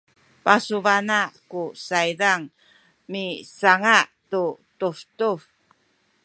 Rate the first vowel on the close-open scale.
open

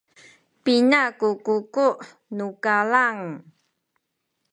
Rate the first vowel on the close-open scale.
close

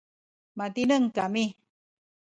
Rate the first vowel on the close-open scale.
open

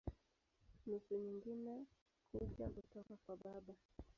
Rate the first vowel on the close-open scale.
close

